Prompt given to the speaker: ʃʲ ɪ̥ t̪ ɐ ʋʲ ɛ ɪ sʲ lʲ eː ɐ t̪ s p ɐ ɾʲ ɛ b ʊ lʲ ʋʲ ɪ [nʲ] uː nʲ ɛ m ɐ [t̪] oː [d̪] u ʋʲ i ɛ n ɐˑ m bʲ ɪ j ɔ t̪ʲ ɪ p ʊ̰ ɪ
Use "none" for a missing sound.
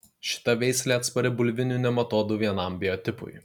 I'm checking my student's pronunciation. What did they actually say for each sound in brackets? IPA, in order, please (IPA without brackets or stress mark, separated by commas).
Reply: nʲ, t̪, d̪